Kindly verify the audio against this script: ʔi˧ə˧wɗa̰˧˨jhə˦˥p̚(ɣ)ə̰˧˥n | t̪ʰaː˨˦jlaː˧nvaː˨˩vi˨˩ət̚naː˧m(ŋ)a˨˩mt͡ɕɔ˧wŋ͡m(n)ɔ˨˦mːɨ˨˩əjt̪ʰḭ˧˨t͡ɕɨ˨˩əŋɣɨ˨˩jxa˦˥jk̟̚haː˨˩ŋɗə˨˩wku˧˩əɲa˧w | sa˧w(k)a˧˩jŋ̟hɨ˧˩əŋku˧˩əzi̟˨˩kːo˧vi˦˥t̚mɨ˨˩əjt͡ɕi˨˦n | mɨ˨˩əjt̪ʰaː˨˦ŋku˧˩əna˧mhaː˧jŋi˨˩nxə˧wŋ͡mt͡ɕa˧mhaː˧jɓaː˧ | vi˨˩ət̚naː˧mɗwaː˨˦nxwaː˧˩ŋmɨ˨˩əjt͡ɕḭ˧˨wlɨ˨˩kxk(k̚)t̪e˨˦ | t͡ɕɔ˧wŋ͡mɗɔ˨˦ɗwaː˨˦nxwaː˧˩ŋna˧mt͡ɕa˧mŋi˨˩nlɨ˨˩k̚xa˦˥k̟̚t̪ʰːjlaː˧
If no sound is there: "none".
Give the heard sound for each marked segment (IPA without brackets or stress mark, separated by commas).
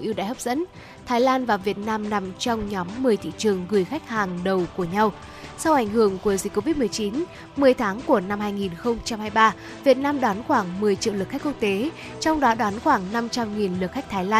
z, n, ɲ, ʔ, k̚